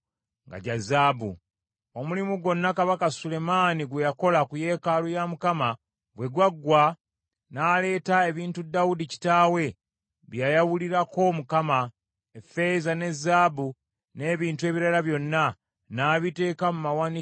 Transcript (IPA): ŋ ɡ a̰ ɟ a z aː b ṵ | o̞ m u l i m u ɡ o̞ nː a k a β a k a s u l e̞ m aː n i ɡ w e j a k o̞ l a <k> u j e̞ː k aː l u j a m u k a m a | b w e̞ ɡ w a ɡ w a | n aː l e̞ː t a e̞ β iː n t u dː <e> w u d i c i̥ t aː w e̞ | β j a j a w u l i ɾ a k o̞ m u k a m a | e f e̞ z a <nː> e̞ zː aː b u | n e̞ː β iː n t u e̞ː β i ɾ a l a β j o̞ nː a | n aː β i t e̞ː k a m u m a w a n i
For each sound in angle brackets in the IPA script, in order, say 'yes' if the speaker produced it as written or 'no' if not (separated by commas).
yes, no, no